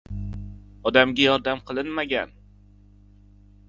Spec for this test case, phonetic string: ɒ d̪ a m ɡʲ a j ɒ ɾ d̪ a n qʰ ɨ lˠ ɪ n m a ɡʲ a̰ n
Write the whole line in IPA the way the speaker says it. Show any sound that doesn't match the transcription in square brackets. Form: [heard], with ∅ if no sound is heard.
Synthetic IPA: ɒ d̪ a m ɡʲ a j ɒ ɾ d̪ a [m] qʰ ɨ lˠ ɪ n m a ɡʲ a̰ n